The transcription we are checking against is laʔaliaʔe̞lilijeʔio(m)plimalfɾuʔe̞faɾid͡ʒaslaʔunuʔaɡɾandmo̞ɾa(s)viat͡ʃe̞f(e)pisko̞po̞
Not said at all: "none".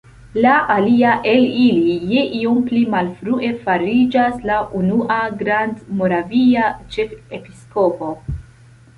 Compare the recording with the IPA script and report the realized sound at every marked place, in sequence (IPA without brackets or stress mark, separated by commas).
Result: m, none, e